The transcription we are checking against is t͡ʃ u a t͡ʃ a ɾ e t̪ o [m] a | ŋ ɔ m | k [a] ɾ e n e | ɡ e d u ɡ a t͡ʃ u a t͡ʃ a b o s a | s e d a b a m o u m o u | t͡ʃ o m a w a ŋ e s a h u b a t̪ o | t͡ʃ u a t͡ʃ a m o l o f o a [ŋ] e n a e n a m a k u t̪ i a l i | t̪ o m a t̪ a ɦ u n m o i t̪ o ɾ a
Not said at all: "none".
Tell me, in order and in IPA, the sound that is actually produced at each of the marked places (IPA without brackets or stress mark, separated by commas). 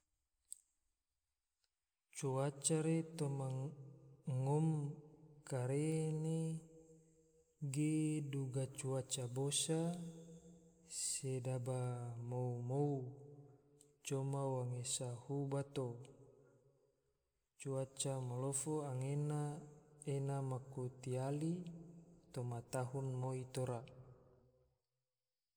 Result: m, a, ŋ